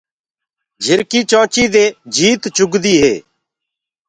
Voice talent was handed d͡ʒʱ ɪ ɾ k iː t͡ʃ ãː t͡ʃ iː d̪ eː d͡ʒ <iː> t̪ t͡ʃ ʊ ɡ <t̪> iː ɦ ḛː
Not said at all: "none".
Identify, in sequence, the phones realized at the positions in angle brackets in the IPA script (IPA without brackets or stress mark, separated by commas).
iː, d̪